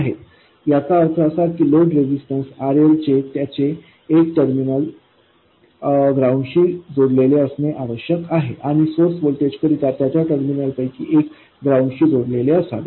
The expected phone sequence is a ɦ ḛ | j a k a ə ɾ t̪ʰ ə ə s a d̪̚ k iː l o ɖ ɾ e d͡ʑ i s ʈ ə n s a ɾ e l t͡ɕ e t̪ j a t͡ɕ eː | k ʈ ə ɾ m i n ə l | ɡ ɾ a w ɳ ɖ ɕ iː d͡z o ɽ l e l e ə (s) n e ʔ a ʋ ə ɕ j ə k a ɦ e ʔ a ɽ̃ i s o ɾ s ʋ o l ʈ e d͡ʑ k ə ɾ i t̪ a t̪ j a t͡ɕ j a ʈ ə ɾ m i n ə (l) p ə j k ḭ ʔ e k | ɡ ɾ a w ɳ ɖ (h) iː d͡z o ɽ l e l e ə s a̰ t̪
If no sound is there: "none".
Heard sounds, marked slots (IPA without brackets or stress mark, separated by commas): s, l, ɕ